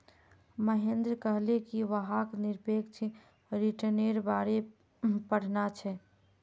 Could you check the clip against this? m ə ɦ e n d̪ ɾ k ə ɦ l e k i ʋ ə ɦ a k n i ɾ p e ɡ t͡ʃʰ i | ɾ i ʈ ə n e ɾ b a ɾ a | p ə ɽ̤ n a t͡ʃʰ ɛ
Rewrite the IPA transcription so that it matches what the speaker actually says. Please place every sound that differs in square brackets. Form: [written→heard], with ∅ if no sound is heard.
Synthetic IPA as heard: m ə ɦ e n d̪ ɾ k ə ɦ l e k i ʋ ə ɦ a k n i ɾ p e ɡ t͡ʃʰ i | ɾ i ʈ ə n e ɾ b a ɾ [a→e] | p ə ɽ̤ n a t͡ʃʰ ɛ